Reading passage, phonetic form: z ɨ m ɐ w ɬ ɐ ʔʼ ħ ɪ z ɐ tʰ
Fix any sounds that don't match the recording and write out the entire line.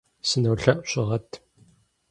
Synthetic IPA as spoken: s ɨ n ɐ w ɬ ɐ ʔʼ ɕ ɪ ʁ ɐ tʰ